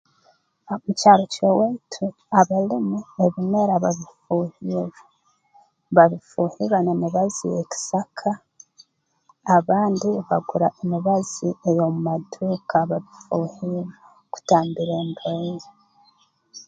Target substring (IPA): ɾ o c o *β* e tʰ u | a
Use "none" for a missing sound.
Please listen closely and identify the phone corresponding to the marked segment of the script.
w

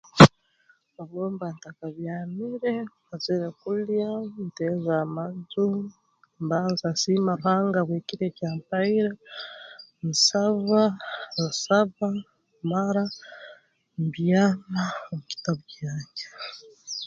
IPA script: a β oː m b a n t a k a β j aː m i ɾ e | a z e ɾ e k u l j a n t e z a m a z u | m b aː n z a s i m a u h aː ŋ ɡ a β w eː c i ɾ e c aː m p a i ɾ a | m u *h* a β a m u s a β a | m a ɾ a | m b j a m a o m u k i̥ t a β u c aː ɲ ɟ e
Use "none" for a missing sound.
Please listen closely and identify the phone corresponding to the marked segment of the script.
s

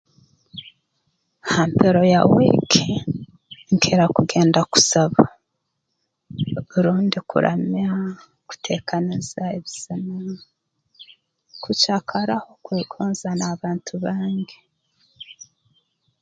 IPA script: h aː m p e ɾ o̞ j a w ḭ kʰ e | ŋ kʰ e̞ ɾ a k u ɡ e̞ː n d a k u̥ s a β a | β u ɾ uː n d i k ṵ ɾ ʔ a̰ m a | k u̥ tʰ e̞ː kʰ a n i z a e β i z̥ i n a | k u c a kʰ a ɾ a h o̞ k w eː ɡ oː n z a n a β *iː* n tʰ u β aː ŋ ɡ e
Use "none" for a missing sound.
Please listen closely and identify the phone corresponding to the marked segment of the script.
aː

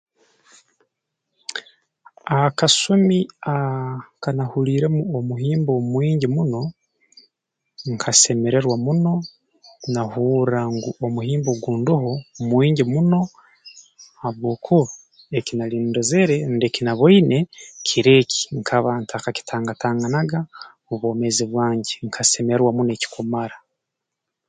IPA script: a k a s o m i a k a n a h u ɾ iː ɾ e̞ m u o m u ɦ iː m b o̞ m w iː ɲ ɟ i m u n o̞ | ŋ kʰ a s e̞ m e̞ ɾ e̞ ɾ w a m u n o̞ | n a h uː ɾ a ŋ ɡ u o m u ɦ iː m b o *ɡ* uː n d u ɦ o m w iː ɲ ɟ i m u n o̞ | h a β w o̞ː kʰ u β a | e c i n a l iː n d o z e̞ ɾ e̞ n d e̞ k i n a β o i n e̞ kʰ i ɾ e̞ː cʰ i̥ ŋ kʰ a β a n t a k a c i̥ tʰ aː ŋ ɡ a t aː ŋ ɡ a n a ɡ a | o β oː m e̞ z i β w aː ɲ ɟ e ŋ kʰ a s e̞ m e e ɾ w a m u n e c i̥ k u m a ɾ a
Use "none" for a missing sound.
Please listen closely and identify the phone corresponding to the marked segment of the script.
ɡ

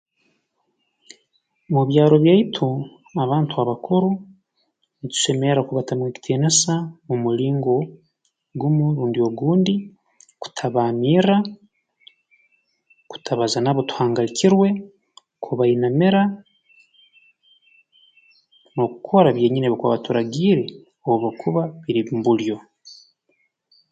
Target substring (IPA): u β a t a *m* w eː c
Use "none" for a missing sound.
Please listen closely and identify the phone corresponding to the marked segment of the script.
m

